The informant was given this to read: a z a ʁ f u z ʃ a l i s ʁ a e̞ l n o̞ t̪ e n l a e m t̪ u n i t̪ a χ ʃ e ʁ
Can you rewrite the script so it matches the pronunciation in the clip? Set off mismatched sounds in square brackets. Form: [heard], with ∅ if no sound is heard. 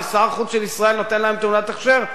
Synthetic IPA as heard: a [s] a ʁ [χ] u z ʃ [e] l i s ʁ a e̞ l n o̞ t̪ e n l a e m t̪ u n [a] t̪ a χ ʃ e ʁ